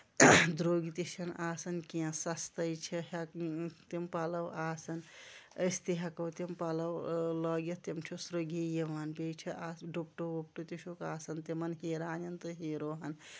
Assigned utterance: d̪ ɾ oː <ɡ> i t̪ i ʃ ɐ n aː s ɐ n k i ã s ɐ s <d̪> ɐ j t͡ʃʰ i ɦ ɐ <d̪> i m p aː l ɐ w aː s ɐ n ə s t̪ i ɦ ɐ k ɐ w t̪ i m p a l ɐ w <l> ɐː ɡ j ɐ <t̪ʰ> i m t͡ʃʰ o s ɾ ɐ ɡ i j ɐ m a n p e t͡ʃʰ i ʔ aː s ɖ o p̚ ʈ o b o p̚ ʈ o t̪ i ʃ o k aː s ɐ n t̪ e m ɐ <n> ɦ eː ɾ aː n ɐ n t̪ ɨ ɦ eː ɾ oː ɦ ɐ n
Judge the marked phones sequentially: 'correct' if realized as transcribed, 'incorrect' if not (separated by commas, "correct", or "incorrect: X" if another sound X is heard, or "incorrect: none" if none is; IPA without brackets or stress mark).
correct, incorrect: t̪, incorrect: t̪, correct, incorrect: t̪, correct